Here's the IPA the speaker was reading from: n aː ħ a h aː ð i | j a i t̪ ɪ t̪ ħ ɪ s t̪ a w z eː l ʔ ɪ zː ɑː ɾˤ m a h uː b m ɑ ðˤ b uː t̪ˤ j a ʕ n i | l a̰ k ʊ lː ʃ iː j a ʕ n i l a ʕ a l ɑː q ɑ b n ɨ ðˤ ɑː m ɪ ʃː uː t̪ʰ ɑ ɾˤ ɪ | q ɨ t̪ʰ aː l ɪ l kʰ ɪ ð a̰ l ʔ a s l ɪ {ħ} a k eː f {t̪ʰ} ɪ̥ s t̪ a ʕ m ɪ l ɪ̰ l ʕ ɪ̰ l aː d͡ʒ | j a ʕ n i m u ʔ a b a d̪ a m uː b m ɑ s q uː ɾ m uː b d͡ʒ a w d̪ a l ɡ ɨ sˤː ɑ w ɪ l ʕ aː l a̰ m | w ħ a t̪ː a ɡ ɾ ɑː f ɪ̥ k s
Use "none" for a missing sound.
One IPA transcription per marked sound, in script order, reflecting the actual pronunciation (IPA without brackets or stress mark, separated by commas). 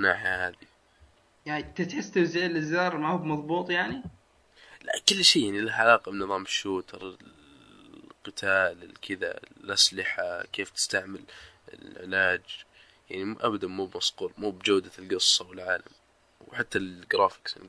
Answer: ħ, t̪